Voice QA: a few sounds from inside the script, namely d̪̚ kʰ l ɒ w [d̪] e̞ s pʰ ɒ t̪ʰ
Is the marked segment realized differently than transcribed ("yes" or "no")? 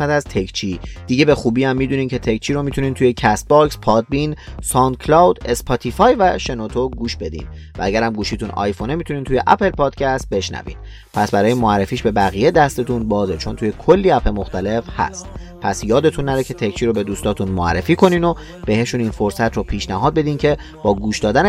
no